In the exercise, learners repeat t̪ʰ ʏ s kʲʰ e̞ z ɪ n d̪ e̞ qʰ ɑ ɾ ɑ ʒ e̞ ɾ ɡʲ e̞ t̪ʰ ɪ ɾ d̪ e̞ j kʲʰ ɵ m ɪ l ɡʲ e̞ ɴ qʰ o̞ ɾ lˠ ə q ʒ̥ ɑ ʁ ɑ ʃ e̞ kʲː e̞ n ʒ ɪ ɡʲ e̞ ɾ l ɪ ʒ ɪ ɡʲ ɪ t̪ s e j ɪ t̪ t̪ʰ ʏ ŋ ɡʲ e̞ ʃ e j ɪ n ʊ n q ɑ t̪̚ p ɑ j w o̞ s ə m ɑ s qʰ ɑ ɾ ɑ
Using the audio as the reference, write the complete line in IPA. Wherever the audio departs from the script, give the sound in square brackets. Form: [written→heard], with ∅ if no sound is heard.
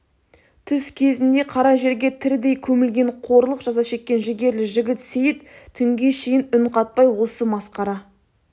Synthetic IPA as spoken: t̪ʰ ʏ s kʲʰ e̞ z ɪ n d̪ e̞ qʰ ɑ ɾ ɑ ʒ e̞ ɾ ɡʲ e̞ t̪ʰ ɪ ɾ d̪ e̞ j kʲʰ ɵ m ɪ l ɡʲ e̞ ɴ qʰ o̞ ɾ lˠ ə q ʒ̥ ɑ [ʁ→z] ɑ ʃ e̞ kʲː e̞ n ʒ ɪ ɡʲ e̞ ɾ l ɪ ʒ ɪ ɡʲ ɪ t̪ s e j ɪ t̪ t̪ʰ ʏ ŋ ɡʲ e̞ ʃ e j ɪ n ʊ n q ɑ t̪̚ p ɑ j w o̞ s ə m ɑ s [qʰ→q] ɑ ɾ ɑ